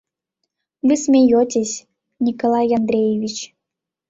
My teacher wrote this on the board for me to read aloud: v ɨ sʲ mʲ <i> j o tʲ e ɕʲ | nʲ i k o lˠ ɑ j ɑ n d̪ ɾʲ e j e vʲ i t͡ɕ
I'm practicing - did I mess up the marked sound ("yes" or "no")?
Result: yes